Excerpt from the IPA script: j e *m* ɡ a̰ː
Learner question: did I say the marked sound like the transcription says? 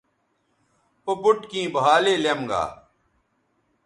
yes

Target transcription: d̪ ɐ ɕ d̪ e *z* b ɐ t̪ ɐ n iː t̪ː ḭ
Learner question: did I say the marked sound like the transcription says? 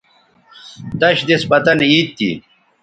no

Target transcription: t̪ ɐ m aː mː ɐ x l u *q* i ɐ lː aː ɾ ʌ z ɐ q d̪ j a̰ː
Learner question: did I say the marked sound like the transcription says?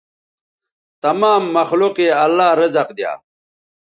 yes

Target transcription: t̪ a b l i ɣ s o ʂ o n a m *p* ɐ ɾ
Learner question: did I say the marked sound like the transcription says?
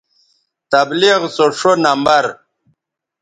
no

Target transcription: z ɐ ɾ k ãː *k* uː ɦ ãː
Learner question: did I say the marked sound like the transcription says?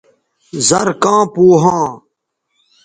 no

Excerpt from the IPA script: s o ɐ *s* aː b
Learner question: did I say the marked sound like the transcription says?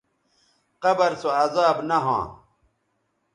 no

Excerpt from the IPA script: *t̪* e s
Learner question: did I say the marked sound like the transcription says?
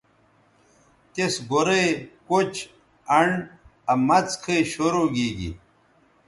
yes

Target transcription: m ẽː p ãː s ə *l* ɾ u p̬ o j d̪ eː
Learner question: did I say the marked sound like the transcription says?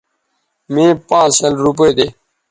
yes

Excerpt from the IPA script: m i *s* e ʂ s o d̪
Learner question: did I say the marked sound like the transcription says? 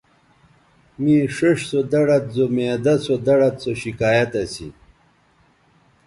no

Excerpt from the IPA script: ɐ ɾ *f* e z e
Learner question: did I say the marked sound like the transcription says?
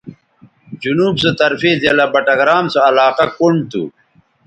yes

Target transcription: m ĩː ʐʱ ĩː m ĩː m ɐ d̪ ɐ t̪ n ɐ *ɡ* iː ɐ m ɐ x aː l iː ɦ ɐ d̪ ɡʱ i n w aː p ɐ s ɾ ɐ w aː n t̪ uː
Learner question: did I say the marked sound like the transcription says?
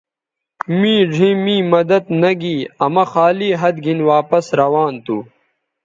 yes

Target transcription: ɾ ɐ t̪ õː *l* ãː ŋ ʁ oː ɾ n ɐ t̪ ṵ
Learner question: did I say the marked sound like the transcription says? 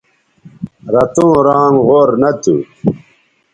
no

